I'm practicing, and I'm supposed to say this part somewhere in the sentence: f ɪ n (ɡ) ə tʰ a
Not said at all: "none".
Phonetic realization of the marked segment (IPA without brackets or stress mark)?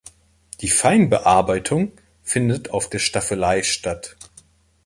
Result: d